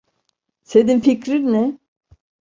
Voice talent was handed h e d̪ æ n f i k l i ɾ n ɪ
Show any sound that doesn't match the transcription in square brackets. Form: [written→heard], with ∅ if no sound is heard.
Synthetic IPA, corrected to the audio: [h→s] e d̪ [æ→i] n f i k [l→ɾ] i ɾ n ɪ